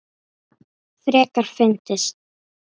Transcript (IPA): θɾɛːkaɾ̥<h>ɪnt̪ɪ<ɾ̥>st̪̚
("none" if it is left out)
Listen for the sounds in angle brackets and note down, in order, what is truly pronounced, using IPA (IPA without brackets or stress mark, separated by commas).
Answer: f, none